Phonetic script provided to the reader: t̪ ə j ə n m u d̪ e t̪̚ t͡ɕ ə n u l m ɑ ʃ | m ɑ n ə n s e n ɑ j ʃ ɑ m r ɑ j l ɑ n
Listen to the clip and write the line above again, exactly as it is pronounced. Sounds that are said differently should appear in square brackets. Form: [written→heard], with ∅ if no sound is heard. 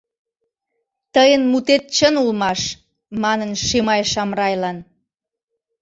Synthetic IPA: t̪ ə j ə n m u [d̪→t̪] e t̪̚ t͡ɕ ə n u l m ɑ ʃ | m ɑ n ə n [s→ʃ] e [n→m] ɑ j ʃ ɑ m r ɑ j l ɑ n